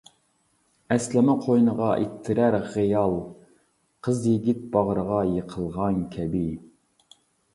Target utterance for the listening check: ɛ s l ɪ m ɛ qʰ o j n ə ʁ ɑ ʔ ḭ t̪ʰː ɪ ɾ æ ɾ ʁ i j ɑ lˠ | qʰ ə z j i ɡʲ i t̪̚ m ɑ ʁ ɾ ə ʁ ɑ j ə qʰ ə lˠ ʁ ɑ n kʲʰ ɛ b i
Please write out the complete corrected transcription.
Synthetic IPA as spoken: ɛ s l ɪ m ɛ qʰ o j n ə ʁ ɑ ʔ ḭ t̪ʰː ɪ ɾ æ ɾ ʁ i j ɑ lˠ | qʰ ə z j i ɡʲ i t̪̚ b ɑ ʁ ɾ ə ʁ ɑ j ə qʰ ə lˠ ʁ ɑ n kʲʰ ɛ b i

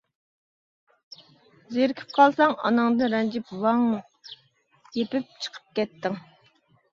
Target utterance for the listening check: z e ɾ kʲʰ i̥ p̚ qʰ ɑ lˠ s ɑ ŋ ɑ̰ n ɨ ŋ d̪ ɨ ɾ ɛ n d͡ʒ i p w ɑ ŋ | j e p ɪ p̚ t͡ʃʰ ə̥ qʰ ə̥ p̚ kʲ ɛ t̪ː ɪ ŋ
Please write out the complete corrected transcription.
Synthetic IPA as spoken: z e ɾ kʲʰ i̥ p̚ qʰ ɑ lˠ s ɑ ŋ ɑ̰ n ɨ ŋ d̪ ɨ ɾ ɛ n d͡ʒ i p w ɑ ŋ | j e p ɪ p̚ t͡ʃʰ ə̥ qʰ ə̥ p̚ kʲ ɛ t̪ː ɪ ŋ

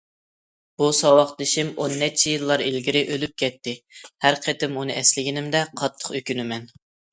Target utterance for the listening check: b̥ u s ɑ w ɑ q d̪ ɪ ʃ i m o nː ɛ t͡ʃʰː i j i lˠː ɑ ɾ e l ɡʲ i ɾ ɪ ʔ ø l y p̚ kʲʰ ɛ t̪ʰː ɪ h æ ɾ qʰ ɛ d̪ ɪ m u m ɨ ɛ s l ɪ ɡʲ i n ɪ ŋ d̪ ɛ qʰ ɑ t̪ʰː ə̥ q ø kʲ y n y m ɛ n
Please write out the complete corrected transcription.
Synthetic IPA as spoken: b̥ u s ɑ w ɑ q d̪ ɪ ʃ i m o nː ɛ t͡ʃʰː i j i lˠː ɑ ɾ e l ɡʲ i ɾ ɪ ʔ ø l y p̚ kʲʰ ɛ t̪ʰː ɪ h æ ɾ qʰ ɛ t̪ ɪ m u n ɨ ɛ s l ɪ ɡʲ i n ɪ m d̪ ɛ qʰ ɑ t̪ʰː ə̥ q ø kʲ y n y m ɛ n

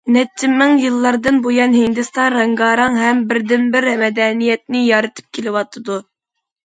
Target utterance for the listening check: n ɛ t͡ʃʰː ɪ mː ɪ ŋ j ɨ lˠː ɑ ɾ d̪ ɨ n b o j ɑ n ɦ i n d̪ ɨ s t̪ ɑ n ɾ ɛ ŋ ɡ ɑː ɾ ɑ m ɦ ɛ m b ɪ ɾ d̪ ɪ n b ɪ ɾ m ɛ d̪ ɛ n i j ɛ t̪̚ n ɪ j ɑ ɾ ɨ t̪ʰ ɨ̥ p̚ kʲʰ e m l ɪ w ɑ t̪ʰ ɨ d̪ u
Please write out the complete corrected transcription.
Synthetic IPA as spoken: n ɛ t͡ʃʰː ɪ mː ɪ ŋ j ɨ lˠː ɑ ɾ d̪ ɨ n b o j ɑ n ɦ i n d̪ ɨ s t̪ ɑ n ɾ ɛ ŋ ɡ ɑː ɾ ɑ ŋ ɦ ɛ m b ɪ ɾ d̪ ɪ n b ɪ ɾ m ɛ d̪ ɛ n i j ɛ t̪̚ n ɪ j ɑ ɾ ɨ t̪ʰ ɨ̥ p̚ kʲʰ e l ɪ w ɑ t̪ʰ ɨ d̪ u

